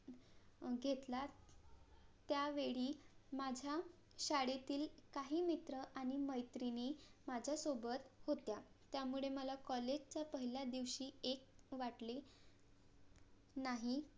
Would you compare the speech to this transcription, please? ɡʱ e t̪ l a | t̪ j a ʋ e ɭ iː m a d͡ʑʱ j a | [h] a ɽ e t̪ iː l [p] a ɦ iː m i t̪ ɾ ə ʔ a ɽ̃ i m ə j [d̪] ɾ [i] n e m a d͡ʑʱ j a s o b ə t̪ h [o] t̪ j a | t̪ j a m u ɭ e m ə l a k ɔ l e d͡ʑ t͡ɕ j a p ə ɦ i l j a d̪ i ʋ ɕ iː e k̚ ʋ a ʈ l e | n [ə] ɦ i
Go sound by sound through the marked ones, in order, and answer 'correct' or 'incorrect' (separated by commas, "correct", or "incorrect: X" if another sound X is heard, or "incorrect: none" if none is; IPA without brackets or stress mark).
incorrect: ɕ, incorrect: k, incorrect: t̪, correct, correct, incorrect: a